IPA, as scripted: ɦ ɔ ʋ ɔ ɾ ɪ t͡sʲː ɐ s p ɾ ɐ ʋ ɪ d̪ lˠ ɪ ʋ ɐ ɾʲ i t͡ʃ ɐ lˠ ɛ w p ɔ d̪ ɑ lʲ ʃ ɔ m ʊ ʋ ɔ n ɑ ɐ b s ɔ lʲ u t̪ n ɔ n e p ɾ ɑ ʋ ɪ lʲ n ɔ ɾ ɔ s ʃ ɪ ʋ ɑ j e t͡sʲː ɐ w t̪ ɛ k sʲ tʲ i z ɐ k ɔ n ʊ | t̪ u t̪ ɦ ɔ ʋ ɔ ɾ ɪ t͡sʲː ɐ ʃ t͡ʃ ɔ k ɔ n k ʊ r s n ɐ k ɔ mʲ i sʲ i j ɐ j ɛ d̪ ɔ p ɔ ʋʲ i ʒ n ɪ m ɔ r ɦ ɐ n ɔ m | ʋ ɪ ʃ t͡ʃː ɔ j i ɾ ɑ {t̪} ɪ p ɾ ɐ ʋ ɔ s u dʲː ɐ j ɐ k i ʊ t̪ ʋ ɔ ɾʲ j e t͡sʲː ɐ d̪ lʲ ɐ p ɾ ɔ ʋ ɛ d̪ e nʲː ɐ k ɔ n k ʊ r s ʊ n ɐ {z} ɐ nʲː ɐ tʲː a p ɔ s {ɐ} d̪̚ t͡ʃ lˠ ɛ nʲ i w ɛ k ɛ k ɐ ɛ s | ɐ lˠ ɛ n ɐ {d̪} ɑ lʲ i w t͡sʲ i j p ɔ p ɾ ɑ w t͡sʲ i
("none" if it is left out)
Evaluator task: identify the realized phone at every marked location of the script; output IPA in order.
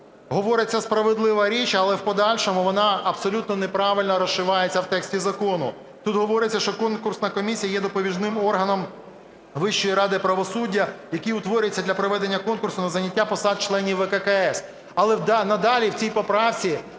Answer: d̪, z, ɑ, d̪

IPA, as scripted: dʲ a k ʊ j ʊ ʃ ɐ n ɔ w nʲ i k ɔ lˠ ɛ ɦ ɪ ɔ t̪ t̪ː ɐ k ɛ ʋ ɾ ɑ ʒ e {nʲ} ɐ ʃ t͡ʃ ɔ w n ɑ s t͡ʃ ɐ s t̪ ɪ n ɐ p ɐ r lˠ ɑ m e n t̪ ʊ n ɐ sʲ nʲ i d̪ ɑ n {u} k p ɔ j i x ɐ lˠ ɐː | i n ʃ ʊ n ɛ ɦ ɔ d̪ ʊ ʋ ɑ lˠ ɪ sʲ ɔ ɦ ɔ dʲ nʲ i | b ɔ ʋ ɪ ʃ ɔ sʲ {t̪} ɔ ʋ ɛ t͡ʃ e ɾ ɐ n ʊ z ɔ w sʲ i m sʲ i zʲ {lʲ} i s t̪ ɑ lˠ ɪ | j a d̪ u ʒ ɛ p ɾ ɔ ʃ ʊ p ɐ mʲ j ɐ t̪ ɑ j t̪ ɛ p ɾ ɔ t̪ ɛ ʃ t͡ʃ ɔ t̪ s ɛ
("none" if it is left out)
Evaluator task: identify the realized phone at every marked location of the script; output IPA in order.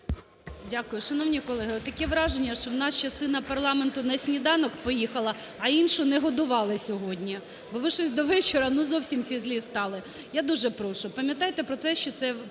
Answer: nʲː, ɔ, d̪, lʲ

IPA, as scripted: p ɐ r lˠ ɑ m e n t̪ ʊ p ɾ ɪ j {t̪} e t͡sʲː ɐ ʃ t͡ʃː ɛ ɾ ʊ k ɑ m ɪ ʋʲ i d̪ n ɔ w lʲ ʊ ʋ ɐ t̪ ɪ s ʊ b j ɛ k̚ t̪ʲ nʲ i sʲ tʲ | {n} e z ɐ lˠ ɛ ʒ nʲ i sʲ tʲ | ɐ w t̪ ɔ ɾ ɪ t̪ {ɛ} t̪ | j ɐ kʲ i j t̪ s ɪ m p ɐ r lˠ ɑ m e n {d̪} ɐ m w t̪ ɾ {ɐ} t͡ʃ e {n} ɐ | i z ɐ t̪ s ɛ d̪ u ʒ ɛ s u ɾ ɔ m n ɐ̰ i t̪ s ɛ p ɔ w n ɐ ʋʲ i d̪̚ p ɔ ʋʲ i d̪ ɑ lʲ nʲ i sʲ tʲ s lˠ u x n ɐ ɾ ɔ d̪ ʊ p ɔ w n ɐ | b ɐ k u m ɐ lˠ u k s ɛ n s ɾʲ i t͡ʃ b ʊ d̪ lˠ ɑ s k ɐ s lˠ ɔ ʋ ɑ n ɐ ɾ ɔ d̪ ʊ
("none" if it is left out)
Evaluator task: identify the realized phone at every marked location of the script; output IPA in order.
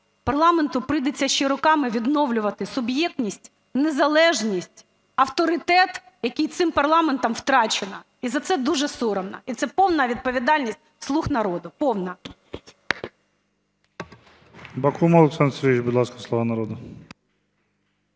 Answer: d̪, n, ɛ, t̪, ɑ, n

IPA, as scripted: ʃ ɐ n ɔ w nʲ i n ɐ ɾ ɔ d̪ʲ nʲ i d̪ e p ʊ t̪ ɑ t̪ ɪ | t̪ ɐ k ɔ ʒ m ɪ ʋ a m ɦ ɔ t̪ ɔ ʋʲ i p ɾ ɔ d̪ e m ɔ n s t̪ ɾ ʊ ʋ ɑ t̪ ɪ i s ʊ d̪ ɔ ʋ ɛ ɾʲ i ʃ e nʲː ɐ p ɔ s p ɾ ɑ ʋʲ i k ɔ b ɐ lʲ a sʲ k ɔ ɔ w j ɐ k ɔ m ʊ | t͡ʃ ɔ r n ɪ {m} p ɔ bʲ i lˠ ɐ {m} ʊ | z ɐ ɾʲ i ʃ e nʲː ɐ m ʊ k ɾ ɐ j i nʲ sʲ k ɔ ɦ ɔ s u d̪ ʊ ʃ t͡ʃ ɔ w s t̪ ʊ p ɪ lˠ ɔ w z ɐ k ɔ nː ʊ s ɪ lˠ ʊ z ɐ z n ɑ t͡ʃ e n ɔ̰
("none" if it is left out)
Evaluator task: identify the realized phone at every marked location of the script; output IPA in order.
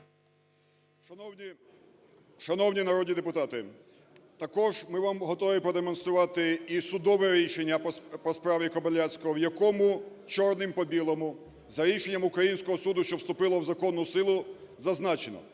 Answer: m, m

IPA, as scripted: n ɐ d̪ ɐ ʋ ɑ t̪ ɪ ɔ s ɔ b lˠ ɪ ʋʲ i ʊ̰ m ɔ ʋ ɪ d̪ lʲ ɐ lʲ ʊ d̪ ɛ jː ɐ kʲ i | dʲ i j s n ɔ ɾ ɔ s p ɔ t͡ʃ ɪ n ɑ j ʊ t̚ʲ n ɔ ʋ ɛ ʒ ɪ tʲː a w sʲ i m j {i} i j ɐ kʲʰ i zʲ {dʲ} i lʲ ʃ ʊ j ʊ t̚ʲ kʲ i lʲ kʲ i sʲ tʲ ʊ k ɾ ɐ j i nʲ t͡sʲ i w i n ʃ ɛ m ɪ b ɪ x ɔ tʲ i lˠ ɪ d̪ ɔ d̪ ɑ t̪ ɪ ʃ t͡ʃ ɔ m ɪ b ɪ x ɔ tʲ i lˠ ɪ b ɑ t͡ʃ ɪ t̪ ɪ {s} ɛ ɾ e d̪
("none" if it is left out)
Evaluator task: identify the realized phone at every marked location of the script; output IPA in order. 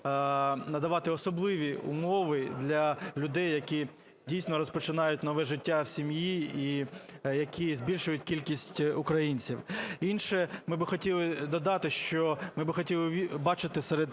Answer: i, bʲ, s

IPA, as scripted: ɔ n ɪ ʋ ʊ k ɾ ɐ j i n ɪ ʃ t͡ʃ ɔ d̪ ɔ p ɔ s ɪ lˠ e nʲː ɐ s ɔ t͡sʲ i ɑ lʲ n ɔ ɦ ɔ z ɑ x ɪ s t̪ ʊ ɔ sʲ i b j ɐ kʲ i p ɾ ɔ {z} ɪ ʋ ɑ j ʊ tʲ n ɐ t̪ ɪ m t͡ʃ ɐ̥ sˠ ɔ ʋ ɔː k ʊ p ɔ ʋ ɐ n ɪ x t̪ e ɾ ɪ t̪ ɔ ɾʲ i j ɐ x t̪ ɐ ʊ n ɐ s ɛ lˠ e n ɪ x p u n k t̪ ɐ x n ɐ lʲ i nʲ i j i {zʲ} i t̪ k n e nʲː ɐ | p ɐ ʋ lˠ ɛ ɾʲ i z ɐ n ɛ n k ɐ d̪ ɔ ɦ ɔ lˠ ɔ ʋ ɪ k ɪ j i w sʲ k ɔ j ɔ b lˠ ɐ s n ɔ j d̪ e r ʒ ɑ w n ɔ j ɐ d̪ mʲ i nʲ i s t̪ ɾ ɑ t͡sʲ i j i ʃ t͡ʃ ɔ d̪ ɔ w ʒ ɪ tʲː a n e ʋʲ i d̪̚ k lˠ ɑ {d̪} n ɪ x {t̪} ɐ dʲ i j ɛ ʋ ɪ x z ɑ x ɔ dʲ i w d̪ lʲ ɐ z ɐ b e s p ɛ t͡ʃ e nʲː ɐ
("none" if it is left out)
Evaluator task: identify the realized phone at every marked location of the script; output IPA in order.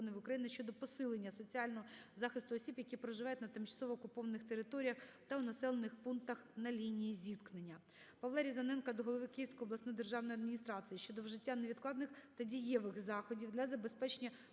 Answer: ʒ, zʲ, d̪, t̪

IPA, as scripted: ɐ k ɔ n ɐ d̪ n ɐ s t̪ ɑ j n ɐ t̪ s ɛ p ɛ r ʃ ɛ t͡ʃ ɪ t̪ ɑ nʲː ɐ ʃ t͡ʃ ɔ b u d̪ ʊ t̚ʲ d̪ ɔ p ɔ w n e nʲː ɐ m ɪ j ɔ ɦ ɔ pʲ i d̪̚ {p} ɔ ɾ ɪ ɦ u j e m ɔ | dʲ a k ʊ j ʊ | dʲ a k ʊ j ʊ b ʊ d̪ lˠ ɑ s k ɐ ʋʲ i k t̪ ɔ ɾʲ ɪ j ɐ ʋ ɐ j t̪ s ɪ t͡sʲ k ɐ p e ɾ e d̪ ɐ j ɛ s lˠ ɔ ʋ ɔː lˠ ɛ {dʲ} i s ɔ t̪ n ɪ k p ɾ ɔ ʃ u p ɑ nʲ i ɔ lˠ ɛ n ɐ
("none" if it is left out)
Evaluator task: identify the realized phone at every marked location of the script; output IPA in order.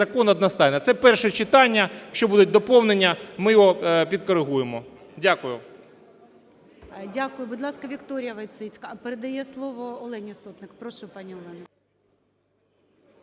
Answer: k, nʲ

